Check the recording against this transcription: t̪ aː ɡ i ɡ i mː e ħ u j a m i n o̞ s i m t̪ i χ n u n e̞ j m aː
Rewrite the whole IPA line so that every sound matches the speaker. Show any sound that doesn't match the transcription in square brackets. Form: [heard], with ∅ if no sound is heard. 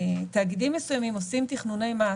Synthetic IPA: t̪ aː ɡ i [d] i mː e [s] u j a m i [m] o̞ s i m t̪ i χ n u n e̞ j m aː